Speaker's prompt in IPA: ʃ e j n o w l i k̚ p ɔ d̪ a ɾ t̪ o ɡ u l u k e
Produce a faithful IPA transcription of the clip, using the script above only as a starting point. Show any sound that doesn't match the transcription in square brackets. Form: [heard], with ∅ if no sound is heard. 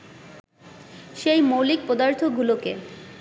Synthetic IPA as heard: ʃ e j [m] o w l i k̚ p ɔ d̪ a ɾ [t̪ʰ] o ɡ u l [o] k e